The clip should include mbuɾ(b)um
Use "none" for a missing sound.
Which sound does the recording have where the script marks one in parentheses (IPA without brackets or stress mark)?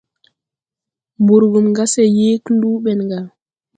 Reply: ɡ